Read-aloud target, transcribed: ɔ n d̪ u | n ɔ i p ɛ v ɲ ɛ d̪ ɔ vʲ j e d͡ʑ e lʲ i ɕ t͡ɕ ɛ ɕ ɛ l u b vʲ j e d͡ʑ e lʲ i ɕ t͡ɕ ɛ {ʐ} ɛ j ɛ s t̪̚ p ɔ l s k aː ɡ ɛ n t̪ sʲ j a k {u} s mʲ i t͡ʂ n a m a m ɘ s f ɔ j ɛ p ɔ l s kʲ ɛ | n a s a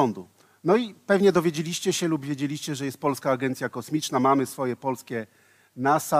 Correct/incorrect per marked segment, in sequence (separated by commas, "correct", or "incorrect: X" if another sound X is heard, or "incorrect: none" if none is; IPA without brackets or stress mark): correct, incorrect: ɔ